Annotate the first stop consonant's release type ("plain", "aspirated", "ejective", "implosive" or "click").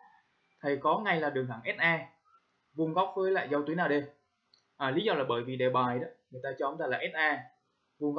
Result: aspirated